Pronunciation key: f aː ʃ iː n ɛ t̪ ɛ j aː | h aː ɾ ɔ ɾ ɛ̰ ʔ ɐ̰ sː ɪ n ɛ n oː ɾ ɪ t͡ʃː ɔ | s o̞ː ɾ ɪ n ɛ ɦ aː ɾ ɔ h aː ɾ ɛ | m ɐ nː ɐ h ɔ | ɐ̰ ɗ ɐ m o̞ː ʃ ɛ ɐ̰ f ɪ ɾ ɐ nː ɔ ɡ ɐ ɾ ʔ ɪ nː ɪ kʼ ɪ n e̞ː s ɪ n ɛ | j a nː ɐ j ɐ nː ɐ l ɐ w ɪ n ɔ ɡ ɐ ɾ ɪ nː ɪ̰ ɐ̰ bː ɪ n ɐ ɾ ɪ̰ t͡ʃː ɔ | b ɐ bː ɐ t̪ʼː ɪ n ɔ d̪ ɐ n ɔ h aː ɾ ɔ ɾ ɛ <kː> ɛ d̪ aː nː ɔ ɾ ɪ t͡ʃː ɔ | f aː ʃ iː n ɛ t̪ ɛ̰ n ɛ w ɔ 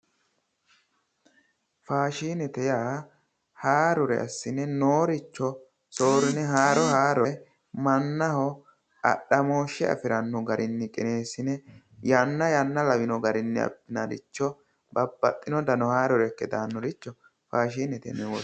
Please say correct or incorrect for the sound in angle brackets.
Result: correct